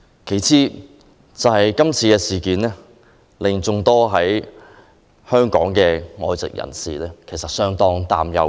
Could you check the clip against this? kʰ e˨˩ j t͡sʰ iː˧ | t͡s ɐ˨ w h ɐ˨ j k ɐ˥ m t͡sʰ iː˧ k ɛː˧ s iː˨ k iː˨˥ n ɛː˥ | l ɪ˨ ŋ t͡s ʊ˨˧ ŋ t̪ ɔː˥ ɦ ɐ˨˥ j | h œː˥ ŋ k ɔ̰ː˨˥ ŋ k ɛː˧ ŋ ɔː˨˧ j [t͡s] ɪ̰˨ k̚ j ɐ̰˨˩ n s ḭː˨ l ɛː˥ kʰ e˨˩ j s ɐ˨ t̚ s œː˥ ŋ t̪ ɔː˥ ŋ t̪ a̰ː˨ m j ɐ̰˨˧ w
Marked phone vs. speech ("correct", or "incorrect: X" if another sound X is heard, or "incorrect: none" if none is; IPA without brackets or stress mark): correct